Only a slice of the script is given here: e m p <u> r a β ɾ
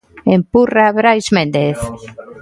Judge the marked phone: correct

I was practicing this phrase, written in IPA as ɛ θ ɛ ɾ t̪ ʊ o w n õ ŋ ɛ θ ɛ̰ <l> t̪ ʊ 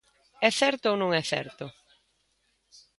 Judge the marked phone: incorrect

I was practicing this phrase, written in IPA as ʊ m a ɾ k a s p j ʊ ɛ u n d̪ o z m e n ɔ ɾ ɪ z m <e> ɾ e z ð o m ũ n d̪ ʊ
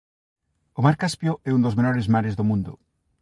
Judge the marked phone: incorrect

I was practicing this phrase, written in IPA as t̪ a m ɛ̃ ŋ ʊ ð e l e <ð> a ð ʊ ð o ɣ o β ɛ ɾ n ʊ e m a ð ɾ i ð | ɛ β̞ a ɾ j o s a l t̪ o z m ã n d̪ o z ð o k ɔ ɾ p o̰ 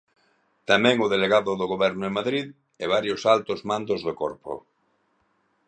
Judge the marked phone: incorrect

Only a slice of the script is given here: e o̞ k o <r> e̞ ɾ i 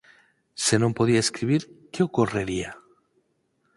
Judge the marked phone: correct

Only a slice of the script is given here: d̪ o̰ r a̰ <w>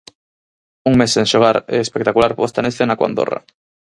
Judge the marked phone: incorrect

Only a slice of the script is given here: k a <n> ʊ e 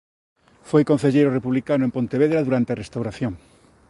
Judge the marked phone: correct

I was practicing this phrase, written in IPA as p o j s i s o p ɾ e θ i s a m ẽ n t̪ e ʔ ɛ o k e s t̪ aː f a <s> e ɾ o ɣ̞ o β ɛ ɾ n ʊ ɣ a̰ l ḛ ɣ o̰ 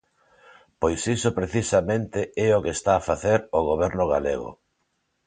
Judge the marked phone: incorrect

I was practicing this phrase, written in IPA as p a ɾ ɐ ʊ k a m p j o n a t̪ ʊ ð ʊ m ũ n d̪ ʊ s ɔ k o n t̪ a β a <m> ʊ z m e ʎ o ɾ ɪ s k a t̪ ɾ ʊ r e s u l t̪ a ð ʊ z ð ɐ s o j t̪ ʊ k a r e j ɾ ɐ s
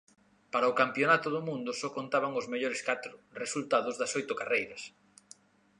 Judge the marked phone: incorrect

